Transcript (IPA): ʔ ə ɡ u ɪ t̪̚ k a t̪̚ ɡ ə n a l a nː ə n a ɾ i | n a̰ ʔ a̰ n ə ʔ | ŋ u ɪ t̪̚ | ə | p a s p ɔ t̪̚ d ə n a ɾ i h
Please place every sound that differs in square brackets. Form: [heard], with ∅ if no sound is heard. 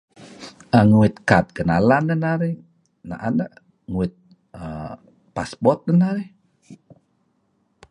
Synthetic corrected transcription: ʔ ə [ŋ] u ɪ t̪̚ k a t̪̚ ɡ ə n a l a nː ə n a ɾ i | n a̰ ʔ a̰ n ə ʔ | ŋ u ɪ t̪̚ | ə | p a s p ɔ t̪̚ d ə n a ɾ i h